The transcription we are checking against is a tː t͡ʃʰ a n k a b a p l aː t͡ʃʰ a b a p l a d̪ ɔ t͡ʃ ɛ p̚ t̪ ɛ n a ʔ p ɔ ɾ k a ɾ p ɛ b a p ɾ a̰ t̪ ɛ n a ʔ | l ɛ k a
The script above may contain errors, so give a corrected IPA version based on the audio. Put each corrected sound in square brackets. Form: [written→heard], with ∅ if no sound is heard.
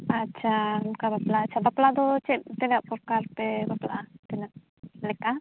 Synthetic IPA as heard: a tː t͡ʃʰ a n k a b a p l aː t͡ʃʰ a b a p l a d̪ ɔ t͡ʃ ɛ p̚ t̪ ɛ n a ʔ p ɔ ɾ k a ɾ p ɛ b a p [ɾ→l] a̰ t̪ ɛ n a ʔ | l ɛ k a